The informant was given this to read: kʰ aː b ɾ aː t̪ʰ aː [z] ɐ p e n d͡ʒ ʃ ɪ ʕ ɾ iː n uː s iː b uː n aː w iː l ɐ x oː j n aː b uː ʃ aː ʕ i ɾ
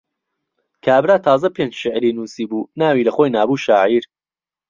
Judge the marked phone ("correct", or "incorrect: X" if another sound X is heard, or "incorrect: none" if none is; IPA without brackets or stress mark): correct